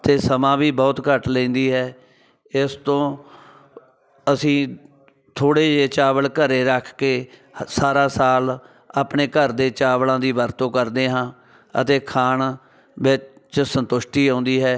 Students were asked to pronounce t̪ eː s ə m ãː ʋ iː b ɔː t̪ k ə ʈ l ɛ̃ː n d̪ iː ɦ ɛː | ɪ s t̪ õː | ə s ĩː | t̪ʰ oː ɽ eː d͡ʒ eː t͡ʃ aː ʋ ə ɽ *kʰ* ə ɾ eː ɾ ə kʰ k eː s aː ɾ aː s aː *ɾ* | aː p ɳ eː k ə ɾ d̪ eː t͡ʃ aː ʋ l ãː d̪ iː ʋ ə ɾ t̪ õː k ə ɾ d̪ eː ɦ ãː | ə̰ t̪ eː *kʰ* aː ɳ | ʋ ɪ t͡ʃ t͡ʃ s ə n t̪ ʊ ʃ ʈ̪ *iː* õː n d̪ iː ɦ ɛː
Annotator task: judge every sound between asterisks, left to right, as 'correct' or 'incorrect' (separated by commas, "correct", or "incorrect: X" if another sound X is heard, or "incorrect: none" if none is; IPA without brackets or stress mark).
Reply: incorrect: k, incorrect: l, correct, correct